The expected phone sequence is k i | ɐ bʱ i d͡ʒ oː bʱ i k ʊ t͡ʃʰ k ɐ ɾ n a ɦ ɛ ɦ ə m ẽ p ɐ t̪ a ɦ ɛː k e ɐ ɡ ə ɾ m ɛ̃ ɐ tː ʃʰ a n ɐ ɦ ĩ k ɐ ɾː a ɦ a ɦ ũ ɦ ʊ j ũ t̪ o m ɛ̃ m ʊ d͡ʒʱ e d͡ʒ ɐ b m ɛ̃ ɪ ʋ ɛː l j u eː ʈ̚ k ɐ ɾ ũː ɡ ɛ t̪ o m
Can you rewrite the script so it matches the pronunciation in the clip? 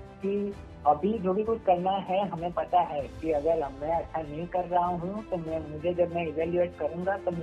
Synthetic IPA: k i | ɐ bʱ i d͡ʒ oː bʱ i k ʊ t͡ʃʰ k ɐ ɾ n a ɦ ɛ ɦ ɐ m ẽ p ɐ t̪ a ɦ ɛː k i ɐ ɡ ə ɾ m ɛ̃ ɐ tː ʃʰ a n ɐ ɦ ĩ k ɐ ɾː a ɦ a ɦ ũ ɦ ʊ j ũ t̪ o m ɛ̃ m ʊ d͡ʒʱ e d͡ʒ ɐ b m ɛ̃ ɪ ʋ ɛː l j u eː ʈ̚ k ɐ ɾ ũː ɡ a t̪ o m